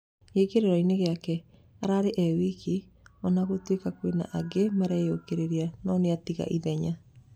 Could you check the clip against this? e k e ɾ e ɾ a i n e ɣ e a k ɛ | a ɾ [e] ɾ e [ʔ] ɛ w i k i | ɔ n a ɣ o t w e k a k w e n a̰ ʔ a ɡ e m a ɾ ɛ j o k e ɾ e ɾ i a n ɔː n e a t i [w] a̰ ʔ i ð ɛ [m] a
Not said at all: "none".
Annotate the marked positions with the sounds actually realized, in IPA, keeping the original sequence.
a, ʔ, ɣ, ɲ

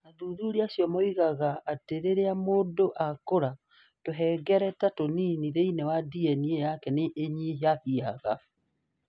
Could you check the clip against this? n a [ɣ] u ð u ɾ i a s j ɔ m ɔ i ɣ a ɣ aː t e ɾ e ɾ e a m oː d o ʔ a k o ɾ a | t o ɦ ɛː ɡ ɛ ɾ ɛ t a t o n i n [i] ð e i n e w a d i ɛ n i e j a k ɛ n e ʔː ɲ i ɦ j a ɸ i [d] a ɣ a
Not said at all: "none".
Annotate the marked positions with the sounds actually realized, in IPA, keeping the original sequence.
ð, i, none

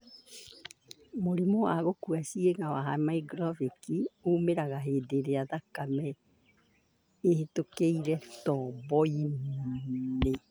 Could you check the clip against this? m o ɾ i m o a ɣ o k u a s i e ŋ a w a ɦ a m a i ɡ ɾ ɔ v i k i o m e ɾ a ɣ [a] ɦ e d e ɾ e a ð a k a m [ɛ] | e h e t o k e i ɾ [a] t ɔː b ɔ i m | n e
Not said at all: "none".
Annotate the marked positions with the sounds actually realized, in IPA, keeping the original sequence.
a, ɛ, ɛ

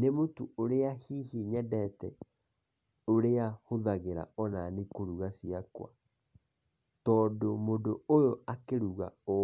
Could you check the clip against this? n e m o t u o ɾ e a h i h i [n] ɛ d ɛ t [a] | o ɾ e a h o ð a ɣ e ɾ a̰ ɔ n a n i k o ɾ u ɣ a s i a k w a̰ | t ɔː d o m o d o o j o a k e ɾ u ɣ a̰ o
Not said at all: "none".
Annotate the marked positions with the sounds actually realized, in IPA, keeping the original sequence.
ɲ, ɛ

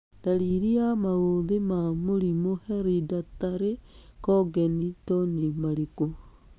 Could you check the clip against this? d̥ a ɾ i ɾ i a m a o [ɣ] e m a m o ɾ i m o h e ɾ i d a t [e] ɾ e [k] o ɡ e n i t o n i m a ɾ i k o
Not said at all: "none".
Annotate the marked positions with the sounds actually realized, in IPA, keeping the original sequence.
ð, a, k

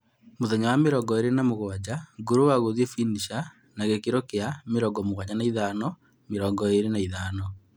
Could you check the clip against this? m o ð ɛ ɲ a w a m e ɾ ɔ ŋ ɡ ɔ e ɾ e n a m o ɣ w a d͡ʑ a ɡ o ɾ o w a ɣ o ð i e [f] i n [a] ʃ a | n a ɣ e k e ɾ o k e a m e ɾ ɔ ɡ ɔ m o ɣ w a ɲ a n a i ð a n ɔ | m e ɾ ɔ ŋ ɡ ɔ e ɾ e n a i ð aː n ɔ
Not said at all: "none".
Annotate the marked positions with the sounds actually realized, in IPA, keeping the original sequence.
f, i

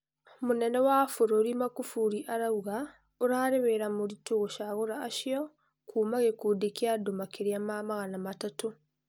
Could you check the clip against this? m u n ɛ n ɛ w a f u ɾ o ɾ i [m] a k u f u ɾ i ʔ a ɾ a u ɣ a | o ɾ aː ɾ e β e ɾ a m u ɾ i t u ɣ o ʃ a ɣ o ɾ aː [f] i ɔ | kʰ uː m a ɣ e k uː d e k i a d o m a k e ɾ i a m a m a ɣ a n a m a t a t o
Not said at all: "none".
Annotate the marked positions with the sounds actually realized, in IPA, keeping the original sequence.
m, ʃ

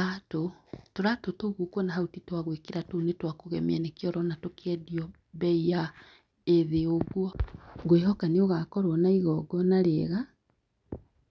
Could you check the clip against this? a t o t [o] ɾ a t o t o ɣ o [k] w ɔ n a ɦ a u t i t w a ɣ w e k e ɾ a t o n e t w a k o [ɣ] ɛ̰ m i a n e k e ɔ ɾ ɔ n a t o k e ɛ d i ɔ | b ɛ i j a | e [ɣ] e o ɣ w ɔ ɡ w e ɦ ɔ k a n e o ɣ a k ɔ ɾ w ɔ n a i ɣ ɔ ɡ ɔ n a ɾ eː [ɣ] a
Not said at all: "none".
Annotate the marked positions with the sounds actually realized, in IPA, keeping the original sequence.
o, k, ɣ, ð, ɣ

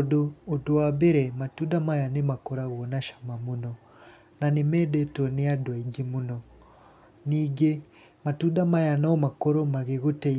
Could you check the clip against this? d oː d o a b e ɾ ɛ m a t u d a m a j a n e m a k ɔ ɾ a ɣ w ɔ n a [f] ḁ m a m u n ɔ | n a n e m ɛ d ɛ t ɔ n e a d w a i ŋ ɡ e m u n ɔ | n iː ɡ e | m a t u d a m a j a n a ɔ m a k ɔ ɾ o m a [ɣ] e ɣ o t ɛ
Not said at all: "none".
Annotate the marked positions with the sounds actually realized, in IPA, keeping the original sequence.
ʃ, ɣ

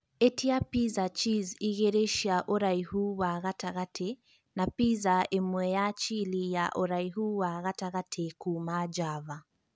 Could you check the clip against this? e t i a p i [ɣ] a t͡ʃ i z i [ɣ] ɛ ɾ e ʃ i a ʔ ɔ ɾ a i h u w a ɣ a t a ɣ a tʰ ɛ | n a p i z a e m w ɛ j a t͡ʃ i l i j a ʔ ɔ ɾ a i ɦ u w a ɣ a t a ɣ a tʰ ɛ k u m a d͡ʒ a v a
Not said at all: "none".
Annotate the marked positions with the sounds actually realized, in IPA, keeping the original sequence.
z, ɣ

